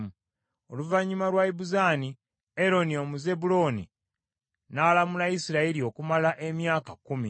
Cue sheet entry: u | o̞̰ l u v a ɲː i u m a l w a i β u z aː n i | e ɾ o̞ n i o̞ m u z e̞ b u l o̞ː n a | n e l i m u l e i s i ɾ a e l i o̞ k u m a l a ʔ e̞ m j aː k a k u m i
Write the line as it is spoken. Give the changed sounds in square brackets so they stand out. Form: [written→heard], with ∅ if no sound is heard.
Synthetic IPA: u | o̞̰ l u v a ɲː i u m a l w a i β u z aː n i | e ɾ o̞ n i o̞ m u z e̞ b u l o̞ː n [a→i] | n [e→a] l [i→a] m u l [e→a] i s i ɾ a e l i o̞ k u m a l a ʔ e̞ m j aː k a k u m i